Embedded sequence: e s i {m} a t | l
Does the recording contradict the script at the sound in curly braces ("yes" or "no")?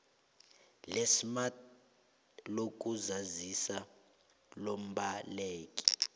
no